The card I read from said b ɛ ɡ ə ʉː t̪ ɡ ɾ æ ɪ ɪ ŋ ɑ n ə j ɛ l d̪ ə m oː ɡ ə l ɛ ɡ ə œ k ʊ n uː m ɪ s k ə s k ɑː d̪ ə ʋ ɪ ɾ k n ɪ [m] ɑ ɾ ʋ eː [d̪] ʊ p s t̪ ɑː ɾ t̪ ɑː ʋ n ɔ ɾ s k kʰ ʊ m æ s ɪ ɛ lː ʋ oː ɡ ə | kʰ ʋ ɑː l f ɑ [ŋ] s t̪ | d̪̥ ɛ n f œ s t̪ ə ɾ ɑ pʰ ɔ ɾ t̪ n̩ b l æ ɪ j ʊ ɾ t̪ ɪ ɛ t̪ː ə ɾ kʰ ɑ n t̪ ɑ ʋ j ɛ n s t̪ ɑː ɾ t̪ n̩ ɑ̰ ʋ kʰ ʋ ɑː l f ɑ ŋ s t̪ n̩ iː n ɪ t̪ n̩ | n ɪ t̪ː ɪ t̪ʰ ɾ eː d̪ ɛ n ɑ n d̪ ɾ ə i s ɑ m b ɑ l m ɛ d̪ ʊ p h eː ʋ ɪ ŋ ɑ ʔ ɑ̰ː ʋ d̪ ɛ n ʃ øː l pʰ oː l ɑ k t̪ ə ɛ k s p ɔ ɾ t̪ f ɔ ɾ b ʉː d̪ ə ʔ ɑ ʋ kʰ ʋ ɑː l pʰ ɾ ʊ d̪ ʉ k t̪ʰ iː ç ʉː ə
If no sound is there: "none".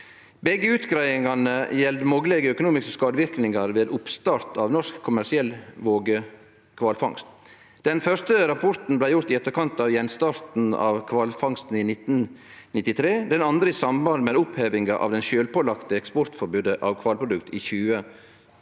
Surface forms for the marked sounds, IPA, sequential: ŋ, d̪, ŋ

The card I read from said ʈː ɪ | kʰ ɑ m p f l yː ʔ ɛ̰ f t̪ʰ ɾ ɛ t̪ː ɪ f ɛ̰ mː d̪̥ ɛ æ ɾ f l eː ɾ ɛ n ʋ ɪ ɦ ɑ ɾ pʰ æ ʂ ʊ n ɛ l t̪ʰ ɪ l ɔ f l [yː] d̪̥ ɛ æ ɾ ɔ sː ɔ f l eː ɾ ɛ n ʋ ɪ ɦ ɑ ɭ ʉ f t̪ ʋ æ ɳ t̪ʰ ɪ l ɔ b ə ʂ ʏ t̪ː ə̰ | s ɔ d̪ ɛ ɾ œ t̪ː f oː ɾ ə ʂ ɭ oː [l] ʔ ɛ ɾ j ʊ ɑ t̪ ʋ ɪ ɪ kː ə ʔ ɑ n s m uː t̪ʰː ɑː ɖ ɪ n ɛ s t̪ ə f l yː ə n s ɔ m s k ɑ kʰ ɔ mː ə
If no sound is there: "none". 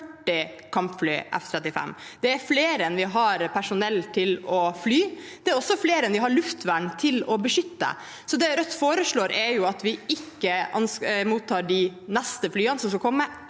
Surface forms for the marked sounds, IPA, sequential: yː, ɾ

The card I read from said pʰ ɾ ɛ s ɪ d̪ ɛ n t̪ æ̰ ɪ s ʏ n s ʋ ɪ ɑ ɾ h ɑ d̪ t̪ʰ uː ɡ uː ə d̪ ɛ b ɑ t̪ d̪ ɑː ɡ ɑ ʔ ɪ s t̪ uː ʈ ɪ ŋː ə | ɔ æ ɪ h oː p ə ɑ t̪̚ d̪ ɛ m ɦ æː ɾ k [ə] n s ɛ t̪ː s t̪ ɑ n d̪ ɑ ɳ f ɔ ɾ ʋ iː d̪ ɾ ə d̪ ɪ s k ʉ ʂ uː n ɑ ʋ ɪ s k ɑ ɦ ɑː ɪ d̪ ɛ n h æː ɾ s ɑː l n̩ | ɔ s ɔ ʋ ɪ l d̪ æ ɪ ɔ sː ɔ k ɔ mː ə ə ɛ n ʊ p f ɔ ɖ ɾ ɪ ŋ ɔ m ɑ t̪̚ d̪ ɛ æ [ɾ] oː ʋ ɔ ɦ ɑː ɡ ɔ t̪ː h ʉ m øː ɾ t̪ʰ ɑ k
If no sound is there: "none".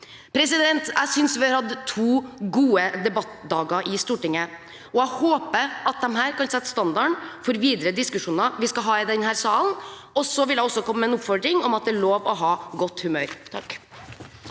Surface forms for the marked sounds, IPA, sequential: ɑ, ɭ

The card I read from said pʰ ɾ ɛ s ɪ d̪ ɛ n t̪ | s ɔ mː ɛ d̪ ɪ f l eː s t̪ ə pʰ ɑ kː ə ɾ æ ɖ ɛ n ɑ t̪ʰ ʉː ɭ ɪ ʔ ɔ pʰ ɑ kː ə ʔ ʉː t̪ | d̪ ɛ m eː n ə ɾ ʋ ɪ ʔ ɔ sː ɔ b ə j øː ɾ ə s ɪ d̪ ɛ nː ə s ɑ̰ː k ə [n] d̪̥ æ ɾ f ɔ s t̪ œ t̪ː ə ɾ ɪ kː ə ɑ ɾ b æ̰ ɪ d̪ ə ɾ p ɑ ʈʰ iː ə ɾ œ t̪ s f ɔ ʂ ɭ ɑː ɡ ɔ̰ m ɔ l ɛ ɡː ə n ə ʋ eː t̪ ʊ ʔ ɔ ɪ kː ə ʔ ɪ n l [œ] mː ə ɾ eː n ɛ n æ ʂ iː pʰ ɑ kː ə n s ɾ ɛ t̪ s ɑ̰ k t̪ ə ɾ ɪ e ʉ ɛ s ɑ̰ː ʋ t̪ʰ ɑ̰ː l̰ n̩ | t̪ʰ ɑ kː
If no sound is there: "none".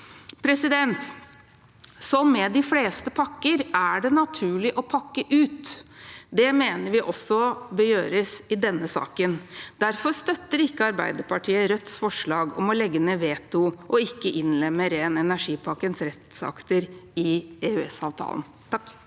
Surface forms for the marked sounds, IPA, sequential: n, ɛ

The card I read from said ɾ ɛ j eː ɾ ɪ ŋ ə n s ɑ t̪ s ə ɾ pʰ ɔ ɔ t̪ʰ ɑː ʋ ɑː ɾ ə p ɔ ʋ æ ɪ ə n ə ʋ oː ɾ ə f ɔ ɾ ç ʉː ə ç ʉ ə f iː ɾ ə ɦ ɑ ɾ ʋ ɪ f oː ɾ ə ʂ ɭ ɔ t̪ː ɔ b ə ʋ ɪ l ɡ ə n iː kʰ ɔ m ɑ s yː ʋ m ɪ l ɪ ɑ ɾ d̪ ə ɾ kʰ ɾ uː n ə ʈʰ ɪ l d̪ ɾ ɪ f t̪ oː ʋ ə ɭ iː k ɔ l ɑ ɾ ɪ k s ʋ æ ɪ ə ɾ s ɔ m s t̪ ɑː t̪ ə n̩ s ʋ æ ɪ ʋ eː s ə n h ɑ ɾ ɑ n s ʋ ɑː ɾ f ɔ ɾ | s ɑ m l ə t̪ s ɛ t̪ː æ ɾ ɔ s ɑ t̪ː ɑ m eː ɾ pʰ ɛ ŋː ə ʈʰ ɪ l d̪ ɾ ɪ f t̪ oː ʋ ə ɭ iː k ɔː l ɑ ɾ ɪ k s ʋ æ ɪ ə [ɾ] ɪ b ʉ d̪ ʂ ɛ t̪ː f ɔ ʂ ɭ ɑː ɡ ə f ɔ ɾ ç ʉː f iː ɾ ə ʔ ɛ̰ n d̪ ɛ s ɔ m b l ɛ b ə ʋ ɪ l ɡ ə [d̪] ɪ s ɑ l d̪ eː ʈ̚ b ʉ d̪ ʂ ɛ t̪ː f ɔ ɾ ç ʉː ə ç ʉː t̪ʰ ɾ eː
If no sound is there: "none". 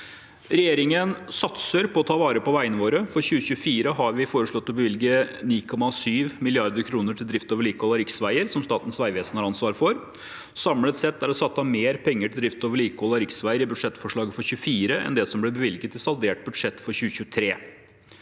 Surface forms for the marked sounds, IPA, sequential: ɾ, t̪

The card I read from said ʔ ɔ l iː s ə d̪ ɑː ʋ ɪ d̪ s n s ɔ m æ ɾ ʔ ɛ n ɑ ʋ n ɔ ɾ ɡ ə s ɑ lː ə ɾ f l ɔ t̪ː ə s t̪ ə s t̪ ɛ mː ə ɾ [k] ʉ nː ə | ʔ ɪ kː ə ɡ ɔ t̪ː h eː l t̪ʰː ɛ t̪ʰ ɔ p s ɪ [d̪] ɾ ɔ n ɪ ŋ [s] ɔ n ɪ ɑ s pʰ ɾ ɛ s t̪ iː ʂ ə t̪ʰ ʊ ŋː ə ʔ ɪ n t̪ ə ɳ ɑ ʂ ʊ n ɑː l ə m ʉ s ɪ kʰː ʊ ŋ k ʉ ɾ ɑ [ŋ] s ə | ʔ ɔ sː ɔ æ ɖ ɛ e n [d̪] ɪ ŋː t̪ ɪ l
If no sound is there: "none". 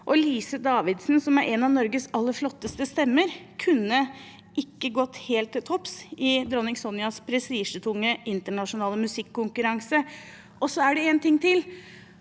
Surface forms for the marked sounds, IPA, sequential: kʰ, d̪, s, ŋ, t̪

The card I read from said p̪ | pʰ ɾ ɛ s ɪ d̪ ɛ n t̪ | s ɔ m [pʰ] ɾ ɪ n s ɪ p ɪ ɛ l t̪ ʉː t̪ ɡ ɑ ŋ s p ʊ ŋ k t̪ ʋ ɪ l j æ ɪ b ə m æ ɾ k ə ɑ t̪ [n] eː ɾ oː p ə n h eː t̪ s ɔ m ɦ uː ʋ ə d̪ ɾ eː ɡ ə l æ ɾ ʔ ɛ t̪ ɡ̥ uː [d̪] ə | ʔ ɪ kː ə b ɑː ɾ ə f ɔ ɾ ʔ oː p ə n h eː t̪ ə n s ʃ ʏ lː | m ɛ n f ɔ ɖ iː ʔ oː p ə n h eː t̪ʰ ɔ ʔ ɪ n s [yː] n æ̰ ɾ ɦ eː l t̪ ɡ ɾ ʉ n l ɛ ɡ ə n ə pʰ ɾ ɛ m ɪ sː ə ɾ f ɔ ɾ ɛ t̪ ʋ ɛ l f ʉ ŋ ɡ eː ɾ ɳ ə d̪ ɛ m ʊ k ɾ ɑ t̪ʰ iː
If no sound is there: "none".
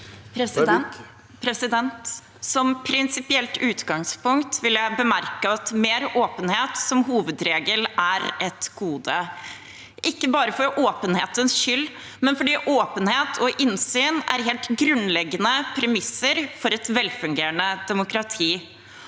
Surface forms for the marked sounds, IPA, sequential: pʰ, m, d̪, yː

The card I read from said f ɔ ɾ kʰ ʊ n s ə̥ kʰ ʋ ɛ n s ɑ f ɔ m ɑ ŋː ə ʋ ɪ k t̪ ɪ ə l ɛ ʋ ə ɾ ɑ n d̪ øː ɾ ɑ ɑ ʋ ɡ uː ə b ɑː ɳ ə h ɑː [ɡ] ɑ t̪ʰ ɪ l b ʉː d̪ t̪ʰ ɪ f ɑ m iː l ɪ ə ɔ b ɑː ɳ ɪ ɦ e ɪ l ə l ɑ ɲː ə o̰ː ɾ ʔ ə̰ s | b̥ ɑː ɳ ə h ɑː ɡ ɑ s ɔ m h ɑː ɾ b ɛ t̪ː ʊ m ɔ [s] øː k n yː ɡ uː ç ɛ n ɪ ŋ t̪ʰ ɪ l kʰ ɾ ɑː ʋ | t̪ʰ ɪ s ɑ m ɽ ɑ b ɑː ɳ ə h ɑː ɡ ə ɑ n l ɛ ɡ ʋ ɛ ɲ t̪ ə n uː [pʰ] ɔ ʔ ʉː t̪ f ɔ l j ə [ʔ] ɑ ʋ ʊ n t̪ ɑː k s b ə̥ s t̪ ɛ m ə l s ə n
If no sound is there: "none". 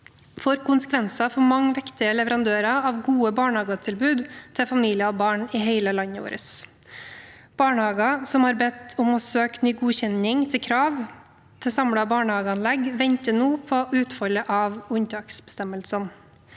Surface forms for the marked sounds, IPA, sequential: ɡ, s, pʰ, ʔ

